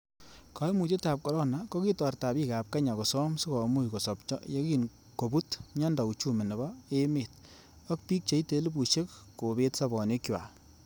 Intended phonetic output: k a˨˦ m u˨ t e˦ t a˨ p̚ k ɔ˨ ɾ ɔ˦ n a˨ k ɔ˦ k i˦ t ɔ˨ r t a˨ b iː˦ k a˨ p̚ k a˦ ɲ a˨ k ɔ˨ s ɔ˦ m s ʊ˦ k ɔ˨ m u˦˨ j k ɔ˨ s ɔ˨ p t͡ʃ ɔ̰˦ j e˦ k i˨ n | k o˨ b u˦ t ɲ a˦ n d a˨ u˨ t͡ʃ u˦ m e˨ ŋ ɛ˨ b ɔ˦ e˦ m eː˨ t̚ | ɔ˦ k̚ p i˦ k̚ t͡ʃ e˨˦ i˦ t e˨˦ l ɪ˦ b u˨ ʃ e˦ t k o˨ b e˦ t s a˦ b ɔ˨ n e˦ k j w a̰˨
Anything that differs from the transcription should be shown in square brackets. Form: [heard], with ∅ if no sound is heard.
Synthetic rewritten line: k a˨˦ m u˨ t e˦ t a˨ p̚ k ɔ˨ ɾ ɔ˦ n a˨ k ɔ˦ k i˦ t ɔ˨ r t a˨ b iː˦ k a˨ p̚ k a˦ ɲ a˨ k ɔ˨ s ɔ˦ m s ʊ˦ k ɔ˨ m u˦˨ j k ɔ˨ s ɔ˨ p t͡ʃ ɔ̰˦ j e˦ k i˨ n | k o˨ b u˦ t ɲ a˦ n d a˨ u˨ t͡ʃ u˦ m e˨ [n] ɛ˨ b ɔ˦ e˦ m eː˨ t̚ | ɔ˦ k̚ p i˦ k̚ t͡ʃ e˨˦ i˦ t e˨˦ l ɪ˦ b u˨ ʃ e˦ [k] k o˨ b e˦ t s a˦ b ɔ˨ n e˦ k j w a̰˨